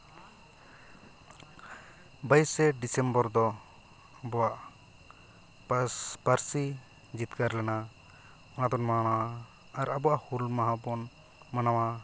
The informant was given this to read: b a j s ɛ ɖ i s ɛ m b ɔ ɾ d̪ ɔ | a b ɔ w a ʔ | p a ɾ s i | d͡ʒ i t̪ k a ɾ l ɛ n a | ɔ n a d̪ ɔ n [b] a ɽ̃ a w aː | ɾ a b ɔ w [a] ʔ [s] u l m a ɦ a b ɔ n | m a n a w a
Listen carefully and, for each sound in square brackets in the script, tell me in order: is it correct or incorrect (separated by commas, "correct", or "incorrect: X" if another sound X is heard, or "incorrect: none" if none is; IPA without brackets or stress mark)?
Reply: incorrect: m, correct, incorrect: h